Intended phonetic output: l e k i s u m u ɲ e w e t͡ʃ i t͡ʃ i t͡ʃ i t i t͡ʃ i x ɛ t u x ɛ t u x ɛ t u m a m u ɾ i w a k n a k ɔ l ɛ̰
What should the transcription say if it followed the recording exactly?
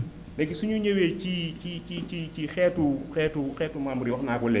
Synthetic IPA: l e k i s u ɲ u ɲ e w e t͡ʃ i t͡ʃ i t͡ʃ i t͡ʃ i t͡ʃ i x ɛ t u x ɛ t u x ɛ t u m a m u ɾ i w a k n a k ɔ l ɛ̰